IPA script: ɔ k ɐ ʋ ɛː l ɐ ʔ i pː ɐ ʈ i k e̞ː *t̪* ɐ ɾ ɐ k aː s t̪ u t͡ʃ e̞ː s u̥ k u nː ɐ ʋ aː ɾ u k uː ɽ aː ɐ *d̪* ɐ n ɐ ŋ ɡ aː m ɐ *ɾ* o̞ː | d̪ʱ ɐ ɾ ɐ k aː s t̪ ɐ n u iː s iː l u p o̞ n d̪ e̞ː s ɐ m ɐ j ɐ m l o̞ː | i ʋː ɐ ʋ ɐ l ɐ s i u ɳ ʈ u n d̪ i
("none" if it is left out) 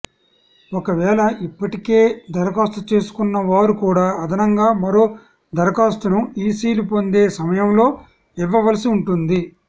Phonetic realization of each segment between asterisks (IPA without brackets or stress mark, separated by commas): d̪, d̪, ɾ